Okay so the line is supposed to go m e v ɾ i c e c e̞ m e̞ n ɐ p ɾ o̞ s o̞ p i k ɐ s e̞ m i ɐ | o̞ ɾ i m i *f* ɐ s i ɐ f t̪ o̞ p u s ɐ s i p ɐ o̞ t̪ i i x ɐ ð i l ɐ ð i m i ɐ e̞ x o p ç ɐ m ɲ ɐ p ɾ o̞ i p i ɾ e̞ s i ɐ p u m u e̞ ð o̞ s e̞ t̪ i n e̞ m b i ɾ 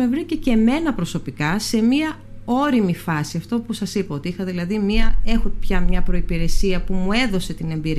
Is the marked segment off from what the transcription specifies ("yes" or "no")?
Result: no